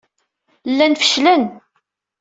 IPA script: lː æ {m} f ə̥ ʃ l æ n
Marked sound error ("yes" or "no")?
yes